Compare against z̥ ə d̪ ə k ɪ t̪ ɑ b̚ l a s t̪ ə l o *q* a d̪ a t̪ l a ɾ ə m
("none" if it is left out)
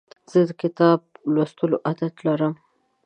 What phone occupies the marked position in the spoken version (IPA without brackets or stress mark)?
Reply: ʔ